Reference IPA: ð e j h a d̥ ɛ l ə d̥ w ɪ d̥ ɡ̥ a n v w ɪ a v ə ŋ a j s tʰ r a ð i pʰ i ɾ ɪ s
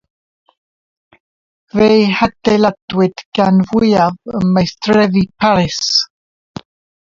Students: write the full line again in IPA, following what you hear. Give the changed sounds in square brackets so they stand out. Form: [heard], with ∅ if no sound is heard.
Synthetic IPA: [v] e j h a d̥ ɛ l [a] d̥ w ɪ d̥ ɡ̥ a n v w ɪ a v ə [m] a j s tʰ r [ɛ] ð i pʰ [a] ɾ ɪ s

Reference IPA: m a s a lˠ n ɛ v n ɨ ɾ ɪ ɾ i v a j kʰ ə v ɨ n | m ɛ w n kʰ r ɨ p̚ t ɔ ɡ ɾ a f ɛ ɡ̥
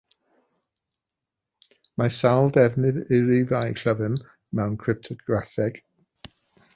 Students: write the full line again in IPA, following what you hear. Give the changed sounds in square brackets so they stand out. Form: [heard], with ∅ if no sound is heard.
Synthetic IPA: m a s a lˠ [d] ɛ v n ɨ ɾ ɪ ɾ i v a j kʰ ə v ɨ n | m ɛ w n kʰ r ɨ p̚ [tʰ] ɔ ɡ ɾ a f ɛ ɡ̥

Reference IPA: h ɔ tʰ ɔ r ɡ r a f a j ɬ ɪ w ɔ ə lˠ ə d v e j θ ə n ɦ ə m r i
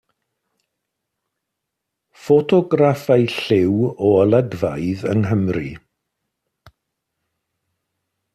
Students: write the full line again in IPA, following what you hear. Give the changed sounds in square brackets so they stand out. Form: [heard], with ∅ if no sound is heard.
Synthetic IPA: [f] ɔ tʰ ɔ [∅] ɡ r a f a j ɬ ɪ w ɔ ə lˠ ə d v [a] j [ð] ə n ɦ ə m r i

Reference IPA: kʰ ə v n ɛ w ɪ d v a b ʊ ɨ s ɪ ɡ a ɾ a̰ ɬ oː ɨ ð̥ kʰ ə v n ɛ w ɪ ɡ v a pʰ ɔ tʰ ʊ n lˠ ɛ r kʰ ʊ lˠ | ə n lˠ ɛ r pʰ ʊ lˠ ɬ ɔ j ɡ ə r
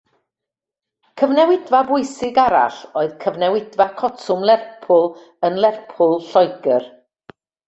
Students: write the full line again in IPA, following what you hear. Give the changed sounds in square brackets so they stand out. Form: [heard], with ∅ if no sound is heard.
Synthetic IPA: kʰ ə v n ɛ w ɪ d v a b ʊ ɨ s ɪ ɡ a ɾ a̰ ɬ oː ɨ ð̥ kʰ ə v n ɛ w ɪ [d] v a [kʰ] ɔ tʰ ʊ [m] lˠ ɛ r [pʰ] ʊ lˠ | ə n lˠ ɛ r pʰ ʊ lˠ ɬ ɔ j ɡ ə r

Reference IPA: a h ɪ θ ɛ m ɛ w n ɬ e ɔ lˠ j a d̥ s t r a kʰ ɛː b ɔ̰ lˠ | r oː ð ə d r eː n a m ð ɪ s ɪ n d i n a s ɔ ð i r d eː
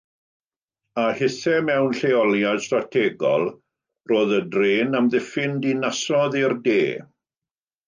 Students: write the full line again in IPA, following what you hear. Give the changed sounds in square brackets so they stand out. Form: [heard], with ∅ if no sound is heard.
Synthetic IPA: a h ɪ θ ɛ m ɛ w n ɬ e ɔ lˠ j a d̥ s t r a [tʰ] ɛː [ɡ] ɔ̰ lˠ | r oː ð ə d r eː n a m ð ɪ [f] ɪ n d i n a s ɔ ð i r d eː

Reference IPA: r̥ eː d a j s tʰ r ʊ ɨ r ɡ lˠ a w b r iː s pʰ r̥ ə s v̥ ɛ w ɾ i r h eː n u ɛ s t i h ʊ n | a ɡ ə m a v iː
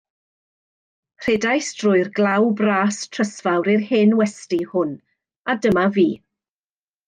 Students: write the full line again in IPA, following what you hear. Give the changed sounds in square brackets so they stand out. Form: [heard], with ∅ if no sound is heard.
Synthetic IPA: r̥ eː d a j s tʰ r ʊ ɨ r ɡ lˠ a w b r [aː] s [tʰ] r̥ ə s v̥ [a] w ɾ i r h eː n [w] ɛ s t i h ʊ n | a [d] ə m a v iː

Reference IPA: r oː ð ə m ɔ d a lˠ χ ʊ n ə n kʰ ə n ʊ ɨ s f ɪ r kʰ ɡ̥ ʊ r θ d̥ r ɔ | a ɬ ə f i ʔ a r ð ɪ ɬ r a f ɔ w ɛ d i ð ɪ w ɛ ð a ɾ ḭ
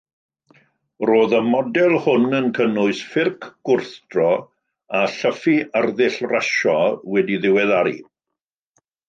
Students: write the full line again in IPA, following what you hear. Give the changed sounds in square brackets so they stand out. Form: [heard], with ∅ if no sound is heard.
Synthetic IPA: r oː ð ə m ɔ d [ɛ] lˠ [h] ʊ n ə n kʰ ə n ʊ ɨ s f ɪ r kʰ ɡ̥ ʊ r θ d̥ r ɔ | a ɬ ə f i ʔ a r ð ɪ ɬ r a [ʃ] ɔ w ɛ d i ð ɪ w ɛ ð a ɾ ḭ

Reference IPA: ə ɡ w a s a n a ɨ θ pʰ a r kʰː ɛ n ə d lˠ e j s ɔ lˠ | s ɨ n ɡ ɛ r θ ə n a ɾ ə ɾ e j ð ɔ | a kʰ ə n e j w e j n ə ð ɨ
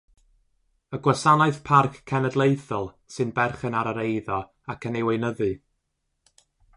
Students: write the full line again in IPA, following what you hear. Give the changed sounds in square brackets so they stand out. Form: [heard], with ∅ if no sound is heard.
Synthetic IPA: ə ɡ w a s a n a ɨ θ pʰ a r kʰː ɛ n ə d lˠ e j [θ] ɔ lˠ | s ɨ n [b] ɛ r [χ] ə n a ɾ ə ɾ e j ð ɔ | a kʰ ə n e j w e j n ə ð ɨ

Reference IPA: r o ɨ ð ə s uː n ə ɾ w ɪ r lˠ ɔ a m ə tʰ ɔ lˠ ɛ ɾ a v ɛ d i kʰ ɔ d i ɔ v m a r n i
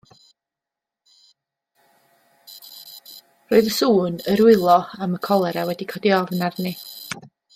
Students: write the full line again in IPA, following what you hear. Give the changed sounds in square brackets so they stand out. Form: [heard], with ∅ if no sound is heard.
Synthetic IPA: r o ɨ ð ə s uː n ə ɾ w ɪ [∅] lˠ ɔ a m ə [kʰ] ɔ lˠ ɛ ɾ a [w] ɛ d i kʰ ɔ d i ɔ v [n] a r n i

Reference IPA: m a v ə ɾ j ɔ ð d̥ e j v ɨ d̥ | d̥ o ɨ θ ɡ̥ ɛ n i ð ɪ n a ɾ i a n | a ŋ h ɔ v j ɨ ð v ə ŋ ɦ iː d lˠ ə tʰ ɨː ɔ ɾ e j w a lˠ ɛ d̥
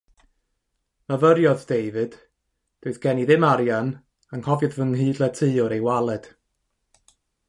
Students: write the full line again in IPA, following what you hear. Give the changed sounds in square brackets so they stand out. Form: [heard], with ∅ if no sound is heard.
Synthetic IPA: m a v ə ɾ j ɔ ð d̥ e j v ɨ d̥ | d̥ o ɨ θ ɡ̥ ɛ n i ð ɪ [m] a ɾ [j] a n | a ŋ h ɔ v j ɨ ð v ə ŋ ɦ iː d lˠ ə tʰ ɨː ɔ ɾ e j w a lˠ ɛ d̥

